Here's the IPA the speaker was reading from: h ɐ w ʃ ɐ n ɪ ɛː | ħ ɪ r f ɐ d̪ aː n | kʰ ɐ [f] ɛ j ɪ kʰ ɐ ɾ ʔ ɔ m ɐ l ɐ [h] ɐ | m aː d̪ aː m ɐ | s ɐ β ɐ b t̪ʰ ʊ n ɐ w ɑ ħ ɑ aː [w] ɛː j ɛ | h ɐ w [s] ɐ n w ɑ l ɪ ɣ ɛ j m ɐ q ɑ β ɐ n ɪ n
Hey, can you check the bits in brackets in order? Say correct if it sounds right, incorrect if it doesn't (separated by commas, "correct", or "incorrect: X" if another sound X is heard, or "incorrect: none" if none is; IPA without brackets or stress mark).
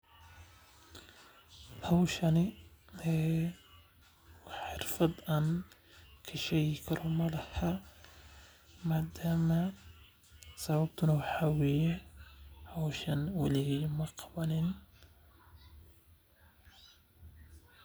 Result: incorrect: ʃ, correct, correct, incorrect: ʃ